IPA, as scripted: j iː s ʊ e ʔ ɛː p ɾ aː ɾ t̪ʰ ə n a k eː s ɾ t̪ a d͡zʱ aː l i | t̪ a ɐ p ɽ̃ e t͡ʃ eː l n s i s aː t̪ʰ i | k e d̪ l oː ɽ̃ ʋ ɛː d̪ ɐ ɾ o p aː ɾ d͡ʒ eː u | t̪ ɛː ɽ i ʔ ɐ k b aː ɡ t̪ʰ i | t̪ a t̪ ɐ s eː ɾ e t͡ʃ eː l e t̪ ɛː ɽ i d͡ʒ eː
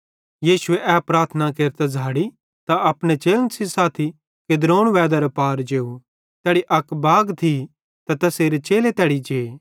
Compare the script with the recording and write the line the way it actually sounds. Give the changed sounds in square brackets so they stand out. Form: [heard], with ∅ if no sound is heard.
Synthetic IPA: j iː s ʊ e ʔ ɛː p ɾ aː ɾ t̪ʰ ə n a k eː [∅] ɾ t̪ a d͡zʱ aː [ɽ] i | t̪ a ɐ p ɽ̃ e t͡ʃ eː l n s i s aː t̪ʰ i | k e d̪ [ɾ] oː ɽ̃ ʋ ɛː d̪ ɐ ɾ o p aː ɾ d͡ʒ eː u | t̪ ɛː ɽ i ʔ ɐ k b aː ɡ t̪ʰ i | t̪ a t̪ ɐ s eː ɾ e t͡ʃ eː l e t̪ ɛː ɽ i d͡ʒ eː